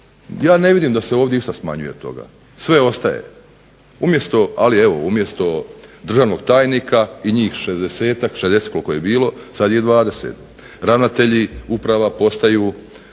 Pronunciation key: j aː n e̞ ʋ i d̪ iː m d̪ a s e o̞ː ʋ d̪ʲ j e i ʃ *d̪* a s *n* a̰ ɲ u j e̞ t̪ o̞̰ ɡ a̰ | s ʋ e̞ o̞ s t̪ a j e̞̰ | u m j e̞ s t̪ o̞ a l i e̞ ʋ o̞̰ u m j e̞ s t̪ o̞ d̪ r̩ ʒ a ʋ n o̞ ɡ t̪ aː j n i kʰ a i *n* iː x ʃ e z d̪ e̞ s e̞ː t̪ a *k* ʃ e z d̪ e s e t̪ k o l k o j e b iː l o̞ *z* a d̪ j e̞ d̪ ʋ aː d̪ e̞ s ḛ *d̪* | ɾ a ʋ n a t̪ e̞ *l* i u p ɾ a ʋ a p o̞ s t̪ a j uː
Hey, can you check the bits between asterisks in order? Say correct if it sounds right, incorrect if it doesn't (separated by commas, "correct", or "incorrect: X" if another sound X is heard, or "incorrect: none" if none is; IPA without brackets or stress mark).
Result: incorrect: t̪, incorrect: m, incorrect: ɲ, correct, incorrect: s, incorrect: t̪, incorrect: ʎ